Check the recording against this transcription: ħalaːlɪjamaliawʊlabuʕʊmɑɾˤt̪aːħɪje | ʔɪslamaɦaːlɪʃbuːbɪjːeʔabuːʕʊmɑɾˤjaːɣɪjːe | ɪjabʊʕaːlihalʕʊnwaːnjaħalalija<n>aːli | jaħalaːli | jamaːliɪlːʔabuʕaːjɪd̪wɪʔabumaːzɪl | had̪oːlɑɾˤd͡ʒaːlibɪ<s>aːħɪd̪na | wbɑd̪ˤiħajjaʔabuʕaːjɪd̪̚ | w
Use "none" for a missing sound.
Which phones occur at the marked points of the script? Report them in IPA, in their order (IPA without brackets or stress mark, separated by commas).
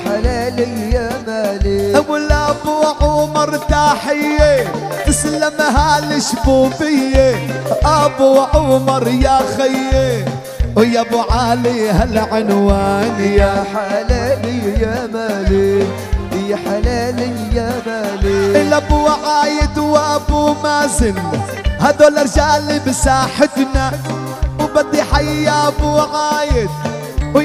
m, s